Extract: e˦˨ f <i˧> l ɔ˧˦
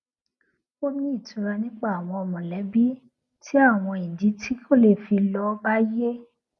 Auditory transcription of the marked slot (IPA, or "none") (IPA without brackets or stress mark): i˧